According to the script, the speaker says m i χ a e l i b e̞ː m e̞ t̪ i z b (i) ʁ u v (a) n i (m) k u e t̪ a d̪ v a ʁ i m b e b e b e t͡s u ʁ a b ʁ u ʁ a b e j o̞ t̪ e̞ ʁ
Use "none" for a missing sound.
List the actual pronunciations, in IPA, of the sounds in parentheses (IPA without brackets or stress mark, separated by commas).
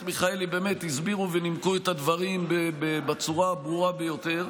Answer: i, e, m